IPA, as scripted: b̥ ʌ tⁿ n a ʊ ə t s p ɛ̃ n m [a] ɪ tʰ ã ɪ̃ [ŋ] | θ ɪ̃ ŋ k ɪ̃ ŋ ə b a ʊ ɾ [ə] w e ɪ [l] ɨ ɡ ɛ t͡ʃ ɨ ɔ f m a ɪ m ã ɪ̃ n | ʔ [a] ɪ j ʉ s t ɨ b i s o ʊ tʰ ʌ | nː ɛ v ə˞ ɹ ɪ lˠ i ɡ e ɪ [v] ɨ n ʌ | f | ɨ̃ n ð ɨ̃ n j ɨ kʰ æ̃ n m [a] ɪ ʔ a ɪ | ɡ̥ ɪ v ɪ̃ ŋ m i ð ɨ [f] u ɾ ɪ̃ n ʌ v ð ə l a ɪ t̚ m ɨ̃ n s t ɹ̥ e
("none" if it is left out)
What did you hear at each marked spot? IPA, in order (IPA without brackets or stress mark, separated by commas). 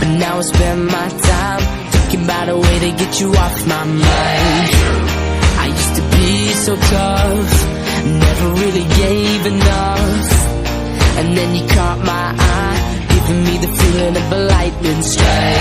a, m, ə, ɾ, a, v, a, f